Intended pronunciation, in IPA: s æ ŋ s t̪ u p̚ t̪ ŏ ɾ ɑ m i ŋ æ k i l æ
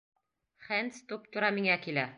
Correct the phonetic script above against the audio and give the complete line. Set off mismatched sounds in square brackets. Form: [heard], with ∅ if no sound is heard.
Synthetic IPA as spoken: [χ] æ [n] s t̪ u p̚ t̪ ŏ ɾ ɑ m i ŋ æ k i l æ